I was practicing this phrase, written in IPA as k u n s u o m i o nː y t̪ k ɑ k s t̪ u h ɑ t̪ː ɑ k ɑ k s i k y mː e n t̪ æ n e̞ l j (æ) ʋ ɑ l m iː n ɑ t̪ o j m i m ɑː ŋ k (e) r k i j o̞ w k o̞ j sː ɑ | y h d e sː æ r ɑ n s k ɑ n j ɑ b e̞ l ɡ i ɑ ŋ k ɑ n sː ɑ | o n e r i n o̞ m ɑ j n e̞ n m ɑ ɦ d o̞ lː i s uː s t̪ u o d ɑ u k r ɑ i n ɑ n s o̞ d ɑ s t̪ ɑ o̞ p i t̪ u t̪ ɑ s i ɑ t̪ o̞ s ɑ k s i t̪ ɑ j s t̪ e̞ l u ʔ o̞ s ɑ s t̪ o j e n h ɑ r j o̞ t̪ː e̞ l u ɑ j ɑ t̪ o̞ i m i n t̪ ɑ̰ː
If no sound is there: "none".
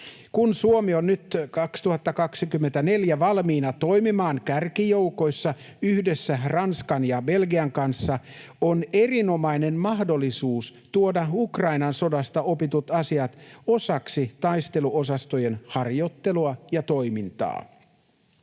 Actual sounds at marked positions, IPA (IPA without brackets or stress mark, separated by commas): æ, æ